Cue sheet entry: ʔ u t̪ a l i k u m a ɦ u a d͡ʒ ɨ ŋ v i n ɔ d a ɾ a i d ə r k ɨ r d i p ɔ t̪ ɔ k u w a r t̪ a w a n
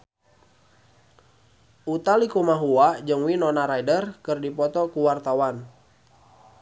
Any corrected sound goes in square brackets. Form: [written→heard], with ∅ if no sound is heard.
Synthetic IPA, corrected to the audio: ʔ u t̪ a l i k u m a ɦ u a d͡ʒ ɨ ŋ [v→w] i n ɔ [d→n] a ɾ a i d ə r k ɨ r d i p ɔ t̪ ɔ k u w a r t̪ a w a n